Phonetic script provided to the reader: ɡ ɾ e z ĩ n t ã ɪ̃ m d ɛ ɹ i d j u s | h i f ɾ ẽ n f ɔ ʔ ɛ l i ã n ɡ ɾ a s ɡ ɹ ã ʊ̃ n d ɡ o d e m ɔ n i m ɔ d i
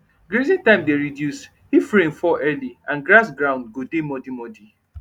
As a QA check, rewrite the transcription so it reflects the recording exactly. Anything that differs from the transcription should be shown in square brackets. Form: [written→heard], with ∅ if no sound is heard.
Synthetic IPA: ɡ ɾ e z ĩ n t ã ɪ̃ m d [ɛ→e] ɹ i d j u s | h i f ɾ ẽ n f ɔ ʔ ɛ l i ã n ɡ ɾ a s ɡ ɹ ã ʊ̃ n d ɡ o d e m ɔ [n→d] i m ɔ d i

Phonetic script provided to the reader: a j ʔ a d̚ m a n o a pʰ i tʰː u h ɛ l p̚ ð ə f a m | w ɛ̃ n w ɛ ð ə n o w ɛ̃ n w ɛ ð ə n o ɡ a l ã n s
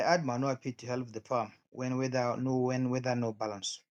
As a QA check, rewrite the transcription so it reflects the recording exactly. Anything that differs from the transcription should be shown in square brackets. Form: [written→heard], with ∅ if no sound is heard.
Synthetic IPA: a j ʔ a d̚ m a n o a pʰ i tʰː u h ɛ l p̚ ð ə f a m | w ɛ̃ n w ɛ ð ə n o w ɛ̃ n w ɛ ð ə n o [ɡ→b] a l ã n s

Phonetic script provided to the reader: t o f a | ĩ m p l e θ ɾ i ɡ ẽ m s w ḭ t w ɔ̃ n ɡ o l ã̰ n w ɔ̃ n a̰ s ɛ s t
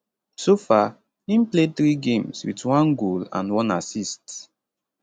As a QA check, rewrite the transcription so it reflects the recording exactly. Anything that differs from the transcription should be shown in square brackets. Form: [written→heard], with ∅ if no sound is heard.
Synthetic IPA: [t→s] o f a | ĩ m p l e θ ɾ i ɡ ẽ m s w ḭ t w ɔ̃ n ɡ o l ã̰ n w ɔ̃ n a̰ s [ɛ→i] s t

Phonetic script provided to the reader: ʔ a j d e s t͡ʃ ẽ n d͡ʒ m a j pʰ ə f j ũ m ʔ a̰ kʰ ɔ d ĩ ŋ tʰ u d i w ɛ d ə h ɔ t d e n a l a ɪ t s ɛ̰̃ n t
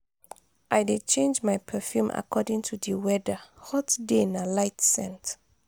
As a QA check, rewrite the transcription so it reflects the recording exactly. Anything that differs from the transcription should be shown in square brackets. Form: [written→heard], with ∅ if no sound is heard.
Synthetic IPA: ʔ a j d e [s→∅] t͡ʃ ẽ n d͡ʒ m a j pʰ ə f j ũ m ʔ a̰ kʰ ɔ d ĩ ŋ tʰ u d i w ɛ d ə h ɔ t d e n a l a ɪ t s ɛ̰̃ n t

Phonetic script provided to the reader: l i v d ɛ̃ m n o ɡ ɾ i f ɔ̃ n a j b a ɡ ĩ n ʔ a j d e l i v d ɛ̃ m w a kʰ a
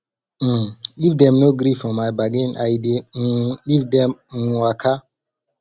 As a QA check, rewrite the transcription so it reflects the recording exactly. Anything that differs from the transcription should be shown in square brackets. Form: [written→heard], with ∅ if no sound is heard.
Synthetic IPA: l i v d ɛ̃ m n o ɡ ɾ i f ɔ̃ [n→m] a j b a ɡ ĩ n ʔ a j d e l i v d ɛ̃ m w a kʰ a

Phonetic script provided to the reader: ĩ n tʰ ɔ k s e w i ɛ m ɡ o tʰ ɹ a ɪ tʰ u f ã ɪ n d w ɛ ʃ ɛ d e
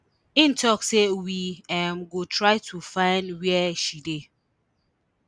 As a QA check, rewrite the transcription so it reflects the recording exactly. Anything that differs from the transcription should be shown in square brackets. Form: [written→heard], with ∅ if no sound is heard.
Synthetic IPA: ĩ n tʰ ɔ k s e w i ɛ m ɡ o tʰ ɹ a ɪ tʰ u f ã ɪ n d w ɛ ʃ [ɛ→i] d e

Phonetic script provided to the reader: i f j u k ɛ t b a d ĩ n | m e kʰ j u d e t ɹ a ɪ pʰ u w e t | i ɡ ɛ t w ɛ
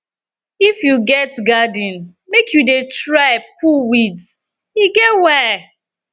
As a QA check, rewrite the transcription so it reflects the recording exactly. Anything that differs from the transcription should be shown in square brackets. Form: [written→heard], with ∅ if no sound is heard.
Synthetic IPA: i f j u [k→ɡ] ɛ t [b→ɡ] a d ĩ n | m e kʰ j u d e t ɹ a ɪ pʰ u w [e→i] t | i ɡ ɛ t w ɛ

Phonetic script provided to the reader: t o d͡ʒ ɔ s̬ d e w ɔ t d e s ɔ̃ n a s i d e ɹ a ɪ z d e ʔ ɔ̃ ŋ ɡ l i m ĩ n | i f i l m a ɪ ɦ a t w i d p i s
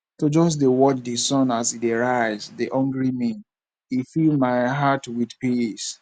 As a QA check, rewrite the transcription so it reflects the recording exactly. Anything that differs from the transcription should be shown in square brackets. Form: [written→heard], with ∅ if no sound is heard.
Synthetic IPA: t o d͡ʒ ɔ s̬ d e w ɔ [t→t͡ʃ] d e s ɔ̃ n a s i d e ɹ a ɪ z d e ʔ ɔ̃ ŋ ɡ [l→ɹ] i m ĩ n | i f i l m a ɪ ɦ a t w i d p i s

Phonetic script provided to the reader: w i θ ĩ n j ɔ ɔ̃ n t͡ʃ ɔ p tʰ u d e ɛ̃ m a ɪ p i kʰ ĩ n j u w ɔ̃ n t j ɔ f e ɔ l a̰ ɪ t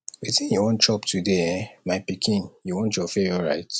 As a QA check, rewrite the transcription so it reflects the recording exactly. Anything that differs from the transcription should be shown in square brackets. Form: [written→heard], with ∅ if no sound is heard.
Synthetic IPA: w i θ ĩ n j ɔ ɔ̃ n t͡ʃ ɔ p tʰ u d e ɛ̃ m a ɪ p i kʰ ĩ n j u w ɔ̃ n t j ɔ f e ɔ [l→ɹ] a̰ ɪ t

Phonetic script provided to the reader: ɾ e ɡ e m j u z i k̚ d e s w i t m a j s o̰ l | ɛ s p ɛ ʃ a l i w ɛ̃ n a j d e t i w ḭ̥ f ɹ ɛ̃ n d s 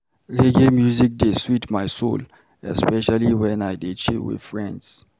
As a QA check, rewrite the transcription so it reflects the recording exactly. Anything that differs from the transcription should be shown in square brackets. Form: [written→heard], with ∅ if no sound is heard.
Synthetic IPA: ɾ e ɡ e m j u z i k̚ d e s w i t m a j s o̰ l | ɛ s p ɛ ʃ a l i w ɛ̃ n a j d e [t→t͡ʃ] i w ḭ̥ f ɹ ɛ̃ n d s

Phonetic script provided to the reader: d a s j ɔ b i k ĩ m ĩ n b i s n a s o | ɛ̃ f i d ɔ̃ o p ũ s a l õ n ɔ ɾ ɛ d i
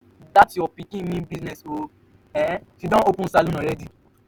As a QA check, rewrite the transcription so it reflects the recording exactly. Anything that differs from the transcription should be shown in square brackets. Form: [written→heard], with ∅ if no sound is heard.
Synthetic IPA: d a [s→t] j ɔ [b→p] i k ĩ m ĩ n b i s n [a→ɛ] s o | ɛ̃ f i d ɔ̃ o p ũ s a l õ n ɔ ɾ ɛ d i

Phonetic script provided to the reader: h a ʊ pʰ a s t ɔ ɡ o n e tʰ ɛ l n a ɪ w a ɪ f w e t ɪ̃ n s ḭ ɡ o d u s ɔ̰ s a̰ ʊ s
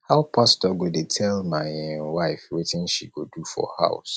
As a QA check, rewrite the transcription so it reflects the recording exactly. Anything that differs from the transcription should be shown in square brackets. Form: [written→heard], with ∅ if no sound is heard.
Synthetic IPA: h a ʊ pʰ a s t ɔ ɡ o [n→d] e tʰ ɛ l [n→m] a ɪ w a ɪ f w e t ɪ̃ n [s→ʃ] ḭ ɡ o d u [s→f] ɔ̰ [s→h] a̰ ʊ s

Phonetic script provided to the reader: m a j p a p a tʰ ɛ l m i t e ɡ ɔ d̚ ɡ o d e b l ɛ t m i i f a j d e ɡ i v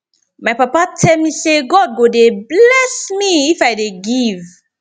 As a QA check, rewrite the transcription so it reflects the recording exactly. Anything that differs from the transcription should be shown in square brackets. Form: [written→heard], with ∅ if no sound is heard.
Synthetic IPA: m a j p a p a tʰ ɛ l m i [t→s] e ɡ ɔ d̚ ɡ o d e b l ɛ [t→s] m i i f a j d e ɡ i v

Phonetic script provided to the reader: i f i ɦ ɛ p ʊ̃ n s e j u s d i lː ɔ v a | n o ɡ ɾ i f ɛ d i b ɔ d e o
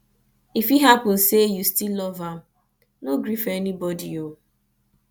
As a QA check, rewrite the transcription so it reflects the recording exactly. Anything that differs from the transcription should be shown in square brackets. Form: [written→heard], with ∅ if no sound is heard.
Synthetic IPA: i f i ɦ [ɛ→a] p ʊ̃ n s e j u s [d→t] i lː ɔ v a | n o ɡ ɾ i f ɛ [d→n] i b ɔ d [e→i] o

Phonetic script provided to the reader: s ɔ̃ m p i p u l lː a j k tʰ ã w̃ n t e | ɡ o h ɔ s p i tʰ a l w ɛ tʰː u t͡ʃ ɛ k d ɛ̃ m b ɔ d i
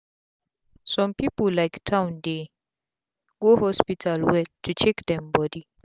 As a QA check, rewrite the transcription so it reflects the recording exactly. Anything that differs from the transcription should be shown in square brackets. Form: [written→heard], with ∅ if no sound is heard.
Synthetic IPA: s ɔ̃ m p i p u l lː a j k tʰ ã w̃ n [t→d] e | ɡ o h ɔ s p i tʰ a l w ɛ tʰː u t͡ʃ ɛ k d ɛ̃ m b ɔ d i

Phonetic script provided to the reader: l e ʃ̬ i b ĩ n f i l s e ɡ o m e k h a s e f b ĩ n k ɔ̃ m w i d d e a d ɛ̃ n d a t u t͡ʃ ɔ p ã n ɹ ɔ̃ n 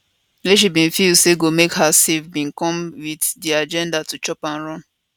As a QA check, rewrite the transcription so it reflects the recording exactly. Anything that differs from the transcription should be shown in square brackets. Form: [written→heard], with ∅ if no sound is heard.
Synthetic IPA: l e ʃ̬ i b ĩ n f i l s e ɡ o m e k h a s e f b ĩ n k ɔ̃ m w i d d [e→i] a [d→d͡ʒ] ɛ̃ n d a t u t͡ʃ ɔ p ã n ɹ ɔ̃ n

